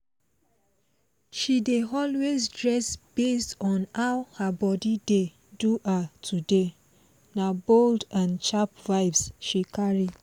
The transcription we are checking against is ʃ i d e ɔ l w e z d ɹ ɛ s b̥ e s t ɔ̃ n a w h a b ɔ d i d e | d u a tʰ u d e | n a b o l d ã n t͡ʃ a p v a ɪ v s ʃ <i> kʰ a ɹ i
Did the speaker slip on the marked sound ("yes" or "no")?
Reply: no